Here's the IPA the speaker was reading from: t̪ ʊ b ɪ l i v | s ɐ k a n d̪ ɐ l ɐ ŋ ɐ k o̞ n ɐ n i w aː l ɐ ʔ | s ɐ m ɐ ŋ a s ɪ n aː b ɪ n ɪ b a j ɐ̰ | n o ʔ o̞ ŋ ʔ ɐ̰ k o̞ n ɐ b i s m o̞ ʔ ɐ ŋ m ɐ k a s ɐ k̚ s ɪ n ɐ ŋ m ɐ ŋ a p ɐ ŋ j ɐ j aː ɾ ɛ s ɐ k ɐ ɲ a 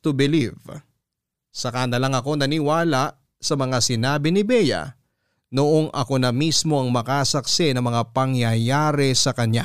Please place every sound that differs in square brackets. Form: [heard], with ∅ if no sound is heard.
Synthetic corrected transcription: t̪ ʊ b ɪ l i v | s ɐ k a n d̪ ɐ l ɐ ŋ ɐ k o̞ n ɐ n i w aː l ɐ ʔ | s ɐ m ɐ ŋ a s ɪ n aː b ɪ n ɪ b [ɛ] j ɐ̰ | n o ʔ o̞ ŋ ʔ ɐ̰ k o̞ n ɐ [m] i s m o̞ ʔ ɐ ŋ m ɐ k a s ɐ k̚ s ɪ n ɐ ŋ m ɐ ŋ a p ɐ ŋ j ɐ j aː ɾ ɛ s ɐ k ɐ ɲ a